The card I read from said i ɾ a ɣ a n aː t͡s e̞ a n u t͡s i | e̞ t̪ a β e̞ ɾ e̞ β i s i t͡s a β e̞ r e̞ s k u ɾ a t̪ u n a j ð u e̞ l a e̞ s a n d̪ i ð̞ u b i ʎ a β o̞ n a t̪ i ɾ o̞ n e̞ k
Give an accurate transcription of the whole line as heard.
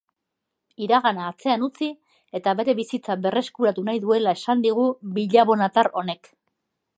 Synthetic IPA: i ɾ a ɣ a n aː t͡s e̞ a n u t͡s i | e̞ t̪ a β e̞ ɾ e̞ β i s i t͡s a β e̞ r e̞ s k u ɾ a t̪ u n a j ð u e̞ l a e̞ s a n d̪ i ɣ̞ u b i ʎ a β o̞ n a t̪ a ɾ o̞ n e̞ k